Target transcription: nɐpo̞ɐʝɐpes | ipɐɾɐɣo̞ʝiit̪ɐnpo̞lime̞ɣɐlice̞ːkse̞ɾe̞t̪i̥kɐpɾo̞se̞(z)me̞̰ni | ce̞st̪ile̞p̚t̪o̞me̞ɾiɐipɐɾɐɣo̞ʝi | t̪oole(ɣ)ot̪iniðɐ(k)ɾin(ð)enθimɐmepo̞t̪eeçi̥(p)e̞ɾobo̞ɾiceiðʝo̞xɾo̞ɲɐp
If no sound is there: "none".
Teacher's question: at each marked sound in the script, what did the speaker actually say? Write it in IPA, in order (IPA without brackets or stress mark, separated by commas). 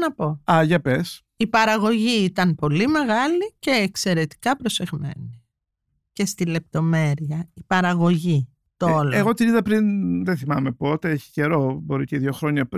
ɣ, ɣ, p, ð, c